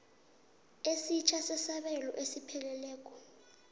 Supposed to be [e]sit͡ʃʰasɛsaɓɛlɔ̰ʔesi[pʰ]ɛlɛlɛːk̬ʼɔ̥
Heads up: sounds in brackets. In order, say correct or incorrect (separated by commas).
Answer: correct, correct